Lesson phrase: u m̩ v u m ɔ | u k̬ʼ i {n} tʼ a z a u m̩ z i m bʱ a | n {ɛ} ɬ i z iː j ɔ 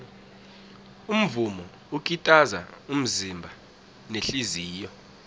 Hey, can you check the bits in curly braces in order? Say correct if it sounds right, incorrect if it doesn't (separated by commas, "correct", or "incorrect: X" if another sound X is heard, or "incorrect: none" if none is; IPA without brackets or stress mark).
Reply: incorrect: none, incorrect: e